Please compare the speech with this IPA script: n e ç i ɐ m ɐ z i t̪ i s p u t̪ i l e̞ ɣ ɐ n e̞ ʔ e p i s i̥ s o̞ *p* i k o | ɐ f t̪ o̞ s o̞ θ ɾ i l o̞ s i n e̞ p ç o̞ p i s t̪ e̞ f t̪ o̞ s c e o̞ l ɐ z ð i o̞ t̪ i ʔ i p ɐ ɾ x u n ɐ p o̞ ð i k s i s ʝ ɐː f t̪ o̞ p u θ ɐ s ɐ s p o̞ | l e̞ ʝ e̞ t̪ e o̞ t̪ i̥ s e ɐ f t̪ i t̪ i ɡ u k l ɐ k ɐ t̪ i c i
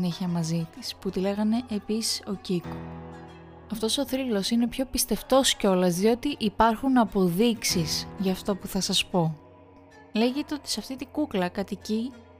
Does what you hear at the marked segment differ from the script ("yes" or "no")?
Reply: yes